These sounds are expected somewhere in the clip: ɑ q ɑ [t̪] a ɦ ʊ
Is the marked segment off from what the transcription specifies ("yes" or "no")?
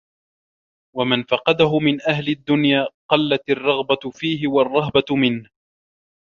yes